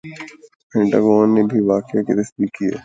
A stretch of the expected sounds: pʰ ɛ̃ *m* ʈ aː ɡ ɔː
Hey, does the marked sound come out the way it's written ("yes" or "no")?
no